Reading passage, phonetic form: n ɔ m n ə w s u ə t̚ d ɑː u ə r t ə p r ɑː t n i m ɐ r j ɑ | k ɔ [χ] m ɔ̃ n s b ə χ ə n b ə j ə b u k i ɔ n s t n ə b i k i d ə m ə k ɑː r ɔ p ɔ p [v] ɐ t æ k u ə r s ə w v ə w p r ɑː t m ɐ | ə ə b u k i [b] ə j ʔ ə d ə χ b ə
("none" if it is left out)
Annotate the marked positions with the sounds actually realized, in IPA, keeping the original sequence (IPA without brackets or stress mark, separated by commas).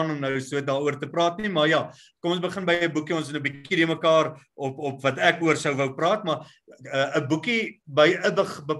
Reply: none, v, b